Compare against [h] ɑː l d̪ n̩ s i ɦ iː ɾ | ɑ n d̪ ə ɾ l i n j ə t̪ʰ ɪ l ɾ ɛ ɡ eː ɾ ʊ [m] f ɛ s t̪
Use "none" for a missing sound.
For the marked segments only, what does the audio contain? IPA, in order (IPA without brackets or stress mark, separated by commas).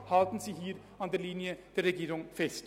h, ŋ